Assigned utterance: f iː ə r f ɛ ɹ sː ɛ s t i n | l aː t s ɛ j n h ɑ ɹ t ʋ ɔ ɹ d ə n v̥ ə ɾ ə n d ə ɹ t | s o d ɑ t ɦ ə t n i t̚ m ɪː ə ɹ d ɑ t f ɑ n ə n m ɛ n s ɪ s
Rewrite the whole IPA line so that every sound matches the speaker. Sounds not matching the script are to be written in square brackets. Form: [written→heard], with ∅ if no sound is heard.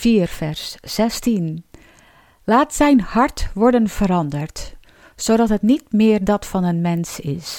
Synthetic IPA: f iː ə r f ɛ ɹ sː ɛ s t i n | l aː t s ɛ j n h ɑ ɹ t ʋ ɔ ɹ d ə n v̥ ə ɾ [ə→ɑ] n d ə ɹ t | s o d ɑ t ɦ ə t n i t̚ m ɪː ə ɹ d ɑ t f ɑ n ə n m ɛ n s ɪ s